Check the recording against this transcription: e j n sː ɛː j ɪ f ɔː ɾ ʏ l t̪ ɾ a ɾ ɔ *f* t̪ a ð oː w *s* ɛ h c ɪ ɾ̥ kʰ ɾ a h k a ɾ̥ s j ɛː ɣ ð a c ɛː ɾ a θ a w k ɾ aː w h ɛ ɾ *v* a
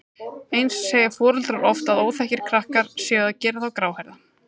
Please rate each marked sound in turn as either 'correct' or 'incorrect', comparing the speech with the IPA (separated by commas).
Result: correct, incorrect, incorrect